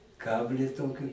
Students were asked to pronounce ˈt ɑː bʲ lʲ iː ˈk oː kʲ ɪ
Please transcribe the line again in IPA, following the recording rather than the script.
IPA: ˈk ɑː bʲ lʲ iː ˈt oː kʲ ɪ

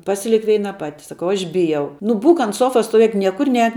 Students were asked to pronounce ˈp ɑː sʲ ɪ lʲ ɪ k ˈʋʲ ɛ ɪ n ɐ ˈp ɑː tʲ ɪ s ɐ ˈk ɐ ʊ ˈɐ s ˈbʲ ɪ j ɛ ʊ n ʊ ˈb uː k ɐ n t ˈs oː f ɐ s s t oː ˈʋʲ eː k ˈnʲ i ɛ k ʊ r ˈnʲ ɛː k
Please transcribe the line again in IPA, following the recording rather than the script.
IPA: ˈp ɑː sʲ ɪ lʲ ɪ k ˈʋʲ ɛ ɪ n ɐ ˈp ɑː tʲ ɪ s ɐ ˈk ɐ ʊ ˈɐ ʃ ˈbʲ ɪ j ɛ ʊ n ʊ ˈb uː k ɐ n t ˈs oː f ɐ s s t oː ˈʋʲ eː k ˈnʲ i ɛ k ʊ r ˈnʲ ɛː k

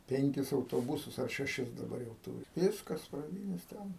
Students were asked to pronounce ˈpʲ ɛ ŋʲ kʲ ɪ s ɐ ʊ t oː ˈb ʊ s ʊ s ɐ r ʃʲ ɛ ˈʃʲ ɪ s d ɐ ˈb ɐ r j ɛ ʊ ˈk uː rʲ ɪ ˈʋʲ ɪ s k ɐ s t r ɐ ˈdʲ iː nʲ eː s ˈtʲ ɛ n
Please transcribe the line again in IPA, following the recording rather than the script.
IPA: ˈpʲ ɛ ŋʲ kʲ ɪ s ɐ ʊ t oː ˈb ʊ s ʊ s ɐ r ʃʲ ɛ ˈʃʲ ɪ s d ɐ ˈb ɐ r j ɛ ʊ ˈt uː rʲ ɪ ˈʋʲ ɪ s k ɐ s p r ɐ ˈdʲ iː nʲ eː s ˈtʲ ɛ n

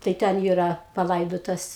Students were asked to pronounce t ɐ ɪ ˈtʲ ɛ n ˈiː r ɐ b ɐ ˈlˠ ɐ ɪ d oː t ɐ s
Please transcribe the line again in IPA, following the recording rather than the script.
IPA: t ɐ ɪ ˈtʲ ɛ n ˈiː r ɐ p ɐ ˈlˠ ɐ ɪ d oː t ɐ s

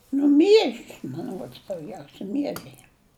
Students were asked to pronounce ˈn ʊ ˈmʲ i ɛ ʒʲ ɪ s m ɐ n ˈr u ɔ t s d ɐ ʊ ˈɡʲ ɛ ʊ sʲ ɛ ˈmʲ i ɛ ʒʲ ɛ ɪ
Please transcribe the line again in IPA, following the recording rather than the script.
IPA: ˈn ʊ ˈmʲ i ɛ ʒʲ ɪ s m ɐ n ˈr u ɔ t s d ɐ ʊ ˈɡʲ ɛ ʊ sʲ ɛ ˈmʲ i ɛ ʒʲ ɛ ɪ

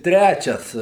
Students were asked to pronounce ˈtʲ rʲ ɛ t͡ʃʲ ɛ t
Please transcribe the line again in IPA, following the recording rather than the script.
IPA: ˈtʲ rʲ æ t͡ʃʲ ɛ s

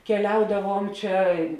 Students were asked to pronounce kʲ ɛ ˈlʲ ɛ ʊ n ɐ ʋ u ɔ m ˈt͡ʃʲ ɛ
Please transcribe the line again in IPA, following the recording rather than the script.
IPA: kʲ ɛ ˈlʲ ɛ ʊ d ɐ ʋ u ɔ m ˈt͡ʃʲ ɛ

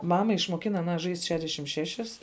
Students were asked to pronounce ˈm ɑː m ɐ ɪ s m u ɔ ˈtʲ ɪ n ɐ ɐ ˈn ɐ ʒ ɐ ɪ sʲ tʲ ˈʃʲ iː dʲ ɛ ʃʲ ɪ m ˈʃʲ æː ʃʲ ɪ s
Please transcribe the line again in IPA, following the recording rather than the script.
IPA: ˈm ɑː m ɐ ɪ ʃ m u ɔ ˈkʲ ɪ n ɐ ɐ ˈn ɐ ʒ ɐ ɪ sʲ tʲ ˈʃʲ æː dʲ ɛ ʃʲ ɪ m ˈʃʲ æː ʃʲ ɪ s

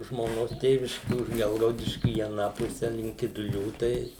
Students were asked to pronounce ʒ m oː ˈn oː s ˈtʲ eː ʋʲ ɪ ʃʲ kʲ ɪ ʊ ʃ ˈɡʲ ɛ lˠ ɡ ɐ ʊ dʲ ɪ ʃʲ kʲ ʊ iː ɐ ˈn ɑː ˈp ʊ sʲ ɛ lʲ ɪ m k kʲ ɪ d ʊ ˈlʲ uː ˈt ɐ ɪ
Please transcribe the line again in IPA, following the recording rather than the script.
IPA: ʒ m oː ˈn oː s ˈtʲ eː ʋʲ ɪ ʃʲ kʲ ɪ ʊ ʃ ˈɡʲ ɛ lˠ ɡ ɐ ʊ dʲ ɪ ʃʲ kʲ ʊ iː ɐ ˈn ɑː ˈp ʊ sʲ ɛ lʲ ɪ ŋ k kʲ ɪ d ʊ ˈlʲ uː ˈt ɐ ɪ

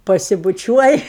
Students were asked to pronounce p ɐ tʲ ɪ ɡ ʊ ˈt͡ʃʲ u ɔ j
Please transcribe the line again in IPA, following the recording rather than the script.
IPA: p ɐ sʲ ɪ b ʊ ˈt͡ʃʲ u ɔ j

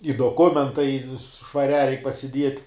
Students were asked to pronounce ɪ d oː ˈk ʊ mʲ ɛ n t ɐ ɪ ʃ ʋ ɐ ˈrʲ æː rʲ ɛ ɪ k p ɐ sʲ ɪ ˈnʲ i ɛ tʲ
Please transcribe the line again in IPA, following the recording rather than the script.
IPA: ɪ d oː ˈk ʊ mʲ ɛ n t ɐ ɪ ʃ ʋ ɐ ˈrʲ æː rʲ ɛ ɪ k p ɐ sʲ ɪ ˈdʲ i ɛ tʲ

